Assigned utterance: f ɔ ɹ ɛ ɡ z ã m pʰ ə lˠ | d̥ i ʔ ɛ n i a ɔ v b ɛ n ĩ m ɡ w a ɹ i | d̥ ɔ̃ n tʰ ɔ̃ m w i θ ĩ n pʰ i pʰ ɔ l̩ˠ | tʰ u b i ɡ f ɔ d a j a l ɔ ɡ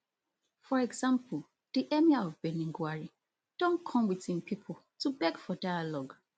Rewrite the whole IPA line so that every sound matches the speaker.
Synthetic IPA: f ɔ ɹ ɛ ɡ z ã m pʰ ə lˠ | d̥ i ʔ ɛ m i a ɔ v b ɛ n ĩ ŋ ɡ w a ɹ i | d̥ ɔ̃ n kʰ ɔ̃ m w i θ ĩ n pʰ i pʰ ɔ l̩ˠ | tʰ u b ɛ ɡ f ɔ d a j a l ɔ ɡ